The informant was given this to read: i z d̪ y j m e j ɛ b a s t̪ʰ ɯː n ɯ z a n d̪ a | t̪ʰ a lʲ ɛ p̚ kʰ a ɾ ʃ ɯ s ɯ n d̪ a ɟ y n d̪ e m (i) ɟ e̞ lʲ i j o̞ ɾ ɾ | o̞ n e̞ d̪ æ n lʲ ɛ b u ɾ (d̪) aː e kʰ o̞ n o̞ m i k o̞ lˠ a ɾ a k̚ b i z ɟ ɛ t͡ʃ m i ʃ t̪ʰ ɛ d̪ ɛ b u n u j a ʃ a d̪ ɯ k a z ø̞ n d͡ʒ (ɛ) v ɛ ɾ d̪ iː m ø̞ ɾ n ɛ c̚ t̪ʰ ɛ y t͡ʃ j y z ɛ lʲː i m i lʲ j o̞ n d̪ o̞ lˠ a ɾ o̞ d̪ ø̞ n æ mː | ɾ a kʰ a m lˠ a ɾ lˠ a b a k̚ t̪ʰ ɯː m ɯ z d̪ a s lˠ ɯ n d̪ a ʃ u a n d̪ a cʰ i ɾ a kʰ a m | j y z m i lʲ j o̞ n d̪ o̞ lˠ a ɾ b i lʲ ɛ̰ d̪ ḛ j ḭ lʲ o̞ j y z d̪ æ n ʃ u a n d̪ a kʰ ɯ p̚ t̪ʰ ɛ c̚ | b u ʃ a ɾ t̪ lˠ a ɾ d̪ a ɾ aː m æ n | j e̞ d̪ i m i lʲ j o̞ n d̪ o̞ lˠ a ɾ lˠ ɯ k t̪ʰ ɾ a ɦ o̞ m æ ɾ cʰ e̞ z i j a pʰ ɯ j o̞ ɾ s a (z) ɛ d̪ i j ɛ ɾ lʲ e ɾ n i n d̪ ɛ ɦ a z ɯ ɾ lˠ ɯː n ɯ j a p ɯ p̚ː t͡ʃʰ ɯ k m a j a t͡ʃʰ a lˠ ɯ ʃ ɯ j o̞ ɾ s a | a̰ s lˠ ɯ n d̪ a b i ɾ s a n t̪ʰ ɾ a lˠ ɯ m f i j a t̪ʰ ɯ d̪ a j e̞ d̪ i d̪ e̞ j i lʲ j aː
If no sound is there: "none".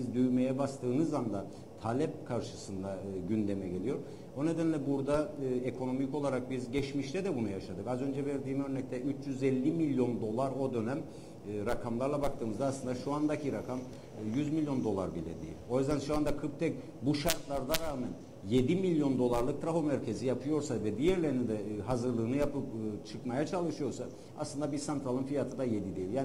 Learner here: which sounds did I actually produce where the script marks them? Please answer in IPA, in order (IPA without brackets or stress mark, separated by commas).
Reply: ɛ, d̪, ɛ, v